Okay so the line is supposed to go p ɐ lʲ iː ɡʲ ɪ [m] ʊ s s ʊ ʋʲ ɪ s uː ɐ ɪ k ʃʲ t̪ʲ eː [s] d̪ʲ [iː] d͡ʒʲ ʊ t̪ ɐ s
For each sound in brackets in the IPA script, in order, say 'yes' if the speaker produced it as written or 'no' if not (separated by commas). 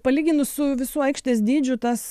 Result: no, yes, yes